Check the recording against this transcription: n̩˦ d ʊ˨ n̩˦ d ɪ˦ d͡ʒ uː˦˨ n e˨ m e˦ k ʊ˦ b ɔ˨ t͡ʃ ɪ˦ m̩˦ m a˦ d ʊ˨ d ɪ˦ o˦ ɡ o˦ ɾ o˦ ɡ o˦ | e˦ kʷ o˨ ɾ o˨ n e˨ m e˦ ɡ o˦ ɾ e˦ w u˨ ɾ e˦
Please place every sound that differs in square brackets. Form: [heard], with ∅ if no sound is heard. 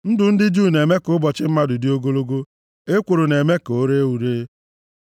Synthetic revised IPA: n̩˦ d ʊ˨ n̩˦ d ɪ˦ d͡ʒ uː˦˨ n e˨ m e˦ k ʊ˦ b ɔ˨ t͡ʃ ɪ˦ m̩˦ m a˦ d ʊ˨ d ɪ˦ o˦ ɡ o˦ [l] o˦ ɡ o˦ | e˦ kʷ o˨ ɾ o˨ n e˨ m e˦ [k] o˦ ɾ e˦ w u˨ ɾ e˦